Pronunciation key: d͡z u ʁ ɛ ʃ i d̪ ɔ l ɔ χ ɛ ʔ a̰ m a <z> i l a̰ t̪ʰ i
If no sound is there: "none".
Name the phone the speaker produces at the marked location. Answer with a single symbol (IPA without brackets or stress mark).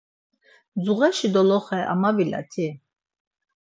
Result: v